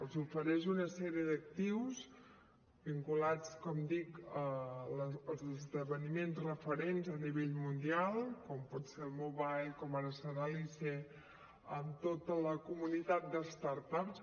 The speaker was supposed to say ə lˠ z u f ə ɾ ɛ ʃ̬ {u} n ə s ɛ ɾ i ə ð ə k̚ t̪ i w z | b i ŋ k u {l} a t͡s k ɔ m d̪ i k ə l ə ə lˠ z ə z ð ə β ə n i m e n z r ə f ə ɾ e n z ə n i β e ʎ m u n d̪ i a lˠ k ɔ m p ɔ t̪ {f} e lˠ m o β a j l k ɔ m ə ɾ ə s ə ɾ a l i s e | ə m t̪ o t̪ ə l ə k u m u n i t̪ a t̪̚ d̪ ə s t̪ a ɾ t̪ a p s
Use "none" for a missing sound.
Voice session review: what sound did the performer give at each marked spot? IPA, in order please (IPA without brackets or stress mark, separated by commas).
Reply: u, l, s